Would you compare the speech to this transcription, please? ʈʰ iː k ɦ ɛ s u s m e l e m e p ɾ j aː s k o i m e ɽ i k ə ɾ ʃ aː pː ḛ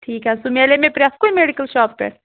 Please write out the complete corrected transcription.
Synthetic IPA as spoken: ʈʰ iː k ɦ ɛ s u m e l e m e p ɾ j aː s k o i m e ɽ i k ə l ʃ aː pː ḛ